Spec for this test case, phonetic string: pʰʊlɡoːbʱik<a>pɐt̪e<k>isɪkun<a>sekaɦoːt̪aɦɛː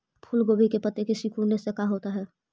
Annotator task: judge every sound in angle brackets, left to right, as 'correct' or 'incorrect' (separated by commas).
incorrect, correct, incorrect